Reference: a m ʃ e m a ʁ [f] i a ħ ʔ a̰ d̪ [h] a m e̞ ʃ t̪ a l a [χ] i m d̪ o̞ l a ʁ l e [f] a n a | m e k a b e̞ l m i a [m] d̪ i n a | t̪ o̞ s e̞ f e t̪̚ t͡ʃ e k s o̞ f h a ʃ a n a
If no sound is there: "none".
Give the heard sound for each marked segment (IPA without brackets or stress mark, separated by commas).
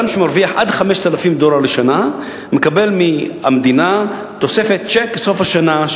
v, χ, f, ʃ, m